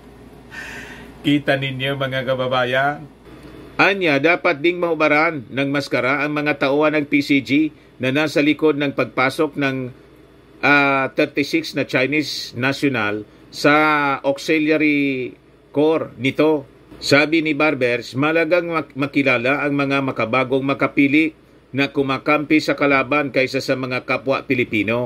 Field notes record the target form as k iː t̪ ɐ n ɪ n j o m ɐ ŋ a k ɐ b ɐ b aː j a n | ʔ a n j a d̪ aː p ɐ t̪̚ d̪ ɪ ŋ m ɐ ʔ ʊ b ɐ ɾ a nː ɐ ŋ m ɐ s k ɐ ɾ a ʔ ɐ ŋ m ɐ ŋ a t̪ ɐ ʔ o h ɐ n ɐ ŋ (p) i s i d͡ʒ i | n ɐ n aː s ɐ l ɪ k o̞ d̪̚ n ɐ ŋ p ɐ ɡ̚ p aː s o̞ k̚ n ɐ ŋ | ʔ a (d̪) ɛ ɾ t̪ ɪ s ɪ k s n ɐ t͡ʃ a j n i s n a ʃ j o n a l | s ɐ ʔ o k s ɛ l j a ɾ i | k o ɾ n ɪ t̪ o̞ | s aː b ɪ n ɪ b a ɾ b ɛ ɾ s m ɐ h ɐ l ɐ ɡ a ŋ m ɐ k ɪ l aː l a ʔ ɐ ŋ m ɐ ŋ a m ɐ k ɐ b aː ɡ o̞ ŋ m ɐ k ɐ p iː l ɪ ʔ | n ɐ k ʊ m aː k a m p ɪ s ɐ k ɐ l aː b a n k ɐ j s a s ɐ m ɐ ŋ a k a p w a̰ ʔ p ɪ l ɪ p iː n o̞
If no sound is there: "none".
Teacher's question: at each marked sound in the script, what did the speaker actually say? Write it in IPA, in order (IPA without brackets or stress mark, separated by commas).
p, t̪